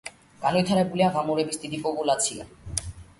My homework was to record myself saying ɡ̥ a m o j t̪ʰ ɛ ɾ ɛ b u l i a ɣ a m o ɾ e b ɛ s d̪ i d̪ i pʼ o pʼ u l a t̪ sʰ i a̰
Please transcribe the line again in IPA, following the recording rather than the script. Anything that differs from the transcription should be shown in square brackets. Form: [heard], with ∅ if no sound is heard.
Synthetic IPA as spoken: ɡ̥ a [n] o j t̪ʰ [a] ɾ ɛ b u l i a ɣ a m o ɾ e b [i] s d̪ i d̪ i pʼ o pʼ u l a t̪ sʰ i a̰

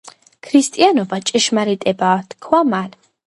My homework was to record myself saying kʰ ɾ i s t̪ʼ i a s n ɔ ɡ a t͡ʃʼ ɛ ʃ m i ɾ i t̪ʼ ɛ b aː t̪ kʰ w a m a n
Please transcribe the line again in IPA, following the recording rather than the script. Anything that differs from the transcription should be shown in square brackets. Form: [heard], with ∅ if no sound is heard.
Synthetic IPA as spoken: kʰ ɾ i s t̪ʼ i a [∅] n ɔ [b] a t͡ʃʼ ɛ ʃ m [a] ɾ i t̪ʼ ɛ b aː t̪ kʰ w a m a n

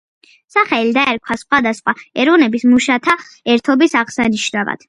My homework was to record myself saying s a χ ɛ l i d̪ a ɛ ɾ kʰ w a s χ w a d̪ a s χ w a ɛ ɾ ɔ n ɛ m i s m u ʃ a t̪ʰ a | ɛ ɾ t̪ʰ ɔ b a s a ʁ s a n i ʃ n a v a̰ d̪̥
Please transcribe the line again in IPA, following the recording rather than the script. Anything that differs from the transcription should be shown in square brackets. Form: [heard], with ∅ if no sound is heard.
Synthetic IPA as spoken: s a χ ɛ l i d̪ a ɛ ɾ kʰ w a s χ w a d̪ a s χ w a ɛ ɾ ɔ n ɛ [b] i s m u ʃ a t̪ʰ a | ɛ ɾ t̪ʰ ɔ b [i] s a ʁ s a n i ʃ n a v a̰ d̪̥

